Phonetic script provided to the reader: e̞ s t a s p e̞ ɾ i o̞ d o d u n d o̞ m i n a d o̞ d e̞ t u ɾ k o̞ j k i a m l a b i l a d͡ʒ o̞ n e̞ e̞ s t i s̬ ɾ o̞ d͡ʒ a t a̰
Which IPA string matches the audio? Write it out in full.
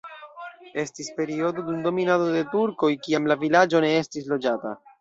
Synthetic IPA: e̞ s t i s p e̞ ɾ i o̞ d o d u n d o̞ m i n a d o̞ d e̞ t u ɾ k o̞ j k i a m l a v i l a d͡ʒ o̞ n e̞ e̞ s t i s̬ l o̞ d͡ʒ a t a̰

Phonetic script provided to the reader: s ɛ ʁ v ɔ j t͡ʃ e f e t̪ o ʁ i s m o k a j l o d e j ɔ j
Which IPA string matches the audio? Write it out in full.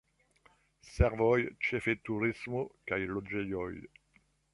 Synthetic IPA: s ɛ ʁ v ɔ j t͡ʃ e f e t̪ u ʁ i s m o k a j l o d͡ʒ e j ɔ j

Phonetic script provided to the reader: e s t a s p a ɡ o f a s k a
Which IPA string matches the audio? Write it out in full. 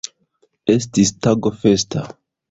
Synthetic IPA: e s t i s t a ɡ o f e s t a

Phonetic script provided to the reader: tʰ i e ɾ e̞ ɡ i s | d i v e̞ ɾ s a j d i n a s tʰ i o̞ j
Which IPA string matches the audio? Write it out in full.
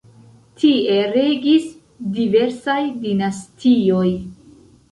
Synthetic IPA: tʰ i e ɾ e̞ ɡ i s | d i v e̞ ɾ s a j d i n a s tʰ i o̞ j

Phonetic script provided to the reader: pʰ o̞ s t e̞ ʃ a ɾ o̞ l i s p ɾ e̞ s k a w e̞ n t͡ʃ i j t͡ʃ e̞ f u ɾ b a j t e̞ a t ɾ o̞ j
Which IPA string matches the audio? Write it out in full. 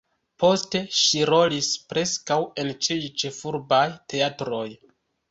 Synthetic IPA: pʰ o̞ s t e̞ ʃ i ɾ o̞ l i s p ɾ e̞ s k a w e̞ n t͡ʃ i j t͡ʃ e̞ f u ɾ b a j t e̞ a t ɾ o̞ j

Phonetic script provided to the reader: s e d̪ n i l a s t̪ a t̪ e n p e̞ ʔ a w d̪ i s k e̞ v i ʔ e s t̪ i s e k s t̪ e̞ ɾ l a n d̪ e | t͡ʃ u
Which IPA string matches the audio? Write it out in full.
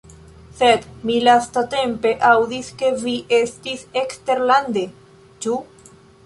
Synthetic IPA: s e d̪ m i l a s t̪ a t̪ e m p e̞ ʔ a w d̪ i s k e̞ v i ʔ e s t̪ i s e k s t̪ e̞ ɾ l a n d̪ e | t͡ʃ u

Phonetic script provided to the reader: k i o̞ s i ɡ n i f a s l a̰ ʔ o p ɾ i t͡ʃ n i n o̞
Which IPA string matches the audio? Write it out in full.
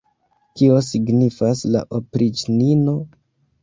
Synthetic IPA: k i o̞ s i ɡ n i f a s l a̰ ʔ o p ɾ i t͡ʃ n i n o̞

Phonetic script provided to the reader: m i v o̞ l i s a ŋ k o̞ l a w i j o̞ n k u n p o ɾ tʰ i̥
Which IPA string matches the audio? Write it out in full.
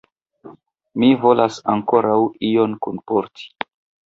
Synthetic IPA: m i v o̞ l a s a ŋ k o̞ ɾ a w i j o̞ n k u n p o ɾ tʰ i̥

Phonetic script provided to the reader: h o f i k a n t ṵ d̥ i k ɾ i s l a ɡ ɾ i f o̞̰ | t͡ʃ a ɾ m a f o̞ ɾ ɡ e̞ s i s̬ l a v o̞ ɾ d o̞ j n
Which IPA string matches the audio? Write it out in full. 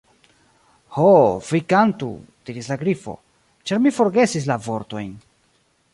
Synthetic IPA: h o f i k a n t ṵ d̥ i ɾ i s l a ɡ ɾ i f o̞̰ | t͡ʃ a ɾ m i f o̞ ɾ ɡ e̞ s i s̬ l a v o̞ ɾ t o̞ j n

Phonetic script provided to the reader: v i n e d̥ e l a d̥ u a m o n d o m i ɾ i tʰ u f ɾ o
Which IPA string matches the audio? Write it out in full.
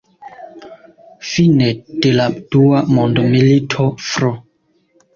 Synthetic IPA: f i n e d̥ e l a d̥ u a m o n d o m i l i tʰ o f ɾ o

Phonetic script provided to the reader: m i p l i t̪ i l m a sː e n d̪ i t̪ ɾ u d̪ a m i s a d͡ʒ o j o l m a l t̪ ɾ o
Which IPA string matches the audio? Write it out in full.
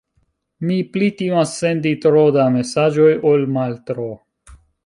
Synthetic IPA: m i p l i t̪ i m a sː e n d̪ i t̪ ɾ o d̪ a m e s a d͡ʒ o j o l m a l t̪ ɾ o

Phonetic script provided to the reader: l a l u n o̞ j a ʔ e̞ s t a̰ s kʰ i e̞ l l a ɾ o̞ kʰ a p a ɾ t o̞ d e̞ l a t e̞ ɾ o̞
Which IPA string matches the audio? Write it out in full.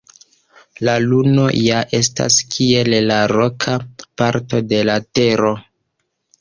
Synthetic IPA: l a l u n o̞ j a ʔ e̞ s t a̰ s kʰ i e̞ l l a ɾ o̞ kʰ a p a ɾ t o̞ d e̞ l a t e̞ ɾ o̞

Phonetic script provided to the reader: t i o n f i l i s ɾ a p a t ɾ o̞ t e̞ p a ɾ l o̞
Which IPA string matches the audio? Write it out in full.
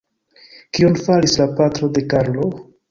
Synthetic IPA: k i o n f a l i s l a p a t ɾ o̞ d e̞ k a ɾ l o̞

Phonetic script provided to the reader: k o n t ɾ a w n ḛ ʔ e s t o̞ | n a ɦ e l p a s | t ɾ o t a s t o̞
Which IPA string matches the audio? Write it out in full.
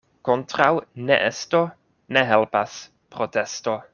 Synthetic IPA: k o n t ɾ a w n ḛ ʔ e s t o̞ | n e ɦ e l p a s | p ɾ o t e s t o̞

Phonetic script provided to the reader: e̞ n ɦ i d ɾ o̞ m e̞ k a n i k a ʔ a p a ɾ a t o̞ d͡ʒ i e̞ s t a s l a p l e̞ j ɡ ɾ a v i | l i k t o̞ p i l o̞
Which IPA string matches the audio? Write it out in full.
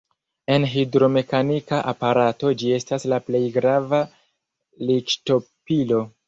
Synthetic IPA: e̞ n ɦ i d ɾ o̞ m e̞ k a n i k a ʔ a p a ɾ a t o̞ d͡ʒ i e̞ s t a s l a p l e̞ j ɡ ɾ a v a | l i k t o̞ p i l o̞

